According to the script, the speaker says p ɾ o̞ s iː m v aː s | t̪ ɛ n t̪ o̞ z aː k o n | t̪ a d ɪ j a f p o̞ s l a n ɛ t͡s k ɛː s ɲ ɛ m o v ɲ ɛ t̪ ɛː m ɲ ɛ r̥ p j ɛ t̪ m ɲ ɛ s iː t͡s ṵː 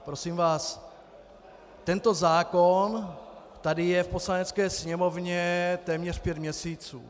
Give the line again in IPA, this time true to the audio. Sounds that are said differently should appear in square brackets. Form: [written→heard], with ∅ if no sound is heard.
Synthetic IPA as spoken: p ɾ o̞ s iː m v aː s | t̪ ɛ n t̪ o̞ z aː k o n | t̪ a d ɪ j [a→ɛ] f p o̞ s l a n ɛ t͡s k ɛː s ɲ ɛ m o v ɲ ɛ t̪ ɛː m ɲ ɛ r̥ p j ɛ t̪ m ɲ ɛ s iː t͡s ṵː

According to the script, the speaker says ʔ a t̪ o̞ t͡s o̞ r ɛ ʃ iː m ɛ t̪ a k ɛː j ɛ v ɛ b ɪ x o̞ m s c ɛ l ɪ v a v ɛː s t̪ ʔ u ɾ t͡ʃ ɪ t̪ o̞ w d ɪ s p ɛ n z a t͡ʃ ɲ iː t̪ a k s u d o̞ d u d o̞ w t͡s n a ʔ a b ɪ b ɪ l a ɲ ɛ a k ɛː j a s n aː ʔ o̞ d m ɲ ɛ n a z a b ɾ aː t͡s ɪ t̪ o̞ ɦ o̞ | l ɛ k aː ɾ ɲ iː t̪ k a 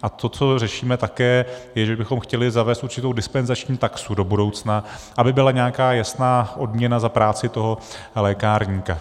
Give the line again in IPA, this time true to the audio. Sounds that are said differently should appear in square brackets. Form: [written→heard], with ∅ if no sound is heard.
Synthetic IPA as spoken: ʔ a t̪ o̞ t͡s o̞ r ɛ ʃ iː m ɛ t̪ a k ɛː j ɛ [v→ʒ] ɛ b ɪ x o̞ m [s→x] c ɛ l ɪ [v→z] a v ɛː s t̪ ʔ u ɾ t͡ʃ ɪ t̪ o̞ w d ɪ s p ɛ n z a t͡ʃ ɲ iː t̪ a k s u d o̞ [d→b] u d o̞ w t͡s n a ʔ a b ɪ b ɪ l a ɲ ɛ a k [ɛː→aː] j a s n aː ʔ o̞ d m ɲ ɛ n a z a [b→p] ɾ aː t͡s ɪ t̪ o̞ ɦ o̞ | l [ɛ→ɛː] k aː ɾ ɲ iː [t̪→∅] k a

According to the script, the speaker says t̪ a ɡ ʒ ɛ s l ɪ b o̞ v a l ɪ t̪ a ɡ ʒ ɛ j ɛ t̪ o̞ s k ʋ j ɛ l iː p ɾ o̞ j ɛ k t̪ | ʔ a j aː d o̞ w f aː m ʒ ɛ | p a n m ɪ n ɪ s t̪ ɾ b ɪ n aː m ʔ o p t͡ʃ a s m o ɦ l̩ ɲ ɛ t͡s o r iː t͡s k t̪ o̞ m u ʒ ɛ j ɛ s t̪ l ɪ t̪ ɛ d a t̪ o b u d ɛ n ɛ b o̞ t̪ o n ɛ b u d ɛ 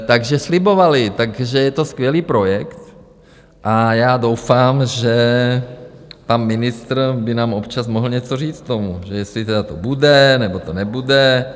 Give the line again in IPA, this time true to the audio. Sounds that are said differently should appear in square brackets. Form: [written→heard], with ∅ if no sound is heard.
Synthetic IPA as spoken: t̪ a ɡ ʒ ɛ s l ɪ b o̞ v a l ɪ t̪ a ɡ ʒ ɛ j ɛ t̪ o̞ s k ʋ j ɛ l iː p ɾ o̞ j ɛ k t̪ | ʔ a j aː d o̞ w f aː m ʒ ɛ | p a n m ɪ n ɪ s t̪ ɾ b ɪ n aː m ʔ o p t͡ʃ a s m o ɦ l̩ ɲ ɛ t͡s o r iː t͡s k t̪ o̞ m u ʒ ɛ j ɛ s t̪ l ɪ t̪ ɛ d a t̪ o b u d ɛ n ɛ b o̞ t̪ o n ɛ b u d ɛ

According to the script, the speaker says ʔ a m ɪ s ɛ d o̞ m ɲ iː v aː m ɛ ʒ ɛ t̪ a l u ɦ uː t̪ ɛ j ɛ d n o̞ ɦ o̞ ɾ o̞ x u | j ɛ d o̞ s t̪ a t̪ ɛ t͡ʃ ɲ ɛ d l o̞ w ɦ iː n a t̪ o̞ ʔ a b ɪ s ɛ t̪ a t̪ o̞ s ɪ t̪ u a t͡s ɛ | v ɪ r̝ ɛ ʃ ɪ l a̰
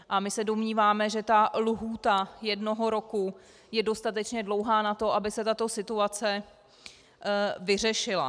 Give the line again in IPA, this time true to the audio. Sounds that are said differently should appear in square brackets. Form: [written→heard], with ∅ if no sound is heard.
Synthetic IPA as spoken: ʔ a m ɪ s ɛ d o̞ m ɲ iː v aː m ɛ ʒ ɛ t̪ a l u ɦ uː t̪ [ɛ→a] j ɛ d n o̞ ɦ o̞ ɾ o̞ [x→k] u | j ɛ d o̞ s t̪ a t̪ ɛ t͡ʃ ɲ ɛ d l o̞ w ɦ [iː→aː] n a t̪ o̞ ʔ a b ɪ s ɛ t̪ a t̪ o̞ s ɪ t̪ u a t͡s ɛ | v ɪ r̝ ɛ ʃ ɪ l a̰

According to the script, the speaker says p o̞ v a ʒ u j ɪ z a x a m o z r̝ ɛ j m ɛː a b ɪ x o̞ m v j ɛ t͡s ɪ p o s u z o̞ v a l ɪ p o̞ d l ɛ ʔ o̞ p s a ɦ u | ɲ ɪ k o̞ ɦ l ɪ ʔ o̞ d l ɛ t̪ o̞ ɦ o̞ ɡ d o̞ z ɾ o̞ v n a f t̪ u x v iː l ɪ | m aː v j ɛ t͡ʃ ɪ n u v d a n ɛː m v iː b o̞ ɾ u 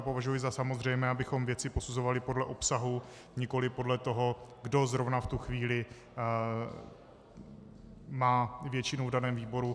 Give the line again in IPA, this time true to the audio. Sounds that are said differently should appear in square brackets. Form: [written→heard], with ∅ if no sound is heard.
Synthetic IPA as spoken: p o̞ v a ʒ u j ɪ z a [x→s] a m o z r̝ ɛ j m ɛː a b ɪ x o̞ m v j ɛ t͡s ɪ p o s u z o̞ v a l ɪ p o̞ d l ɛ ʔ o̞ p s a ɦ u | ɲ ɪ k o̞ [ɦ→∅] l ɪ [ʔ→p] o̞ d l ɛ t̪ o̞ ɦ o̞ ɡ d o̞ z ɾ o̞ v n a f t̪ u x v iː l ɪ | m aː v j ɛ t͡ʃ ɪ n u v d a n ɛː m v iː b o̞ ɾ u

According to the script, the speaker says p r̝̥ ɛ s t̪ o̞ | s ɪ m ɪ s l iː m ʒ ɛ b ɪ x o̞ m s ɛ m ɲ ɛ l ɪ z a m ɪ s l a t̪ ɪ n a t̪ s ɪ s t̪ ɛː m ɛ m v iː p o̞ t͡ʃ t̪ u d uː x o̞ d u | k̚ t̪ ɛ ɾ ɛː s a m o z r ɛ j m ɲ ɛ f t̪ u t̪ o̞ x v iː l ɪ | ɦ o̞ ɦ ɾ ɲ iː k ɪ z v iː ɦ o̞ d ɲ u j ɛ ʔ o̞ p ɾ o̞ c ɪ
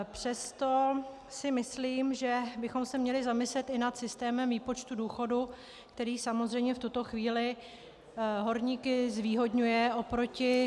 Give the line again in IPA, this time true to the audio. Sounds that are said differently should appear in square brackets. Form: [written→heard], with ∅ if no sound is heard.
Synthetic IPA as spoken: p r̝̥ ɛ s t̪ o̞ | s ɪ m ɪ s l iː m ʒ ɛ b ɪ x o̞ m s ɛ m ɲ ɛ l ɪ z a m ɪ s l [a→ɛ] t̪ ɪ n a t̪ s ɪ s t̪ ɛː m ɛ m v iː p o̞ t͡ʃ t̪ u d uː x o̞ d u | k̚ t̪ ɛ ɾ [ɛː→iː] s a m o z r ɛ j m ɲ ɛ f t̪ u t̪ o̞ x v iː l ɪ | ɦ o̞ [ɦ→∅] ɾ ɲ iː k ɪ z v iː ɦ o̞ d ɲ u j ɛ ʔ o̞ p ɾ o̞ c ɪ

